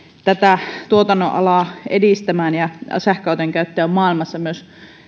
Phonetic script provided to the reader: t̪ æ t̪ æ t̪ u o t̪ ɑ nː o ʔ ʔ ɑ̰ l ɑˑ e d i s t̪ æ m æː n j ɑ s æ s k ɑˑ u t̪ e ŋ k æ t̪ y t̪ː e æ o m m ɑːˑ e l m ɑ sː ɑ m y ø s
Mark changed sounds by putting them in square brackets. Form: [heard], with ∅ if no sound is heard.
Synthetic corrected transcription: t̪ æ t̪ æ t̪ u o t̪ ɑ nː o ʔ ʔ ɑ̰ l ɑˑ e d i s t̪ æ m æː n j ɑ s æ [h] k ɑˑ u t̪ e ŋ k æ [∅] y t̪ː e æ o m m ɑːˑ [i] l m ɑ sː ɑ m y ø s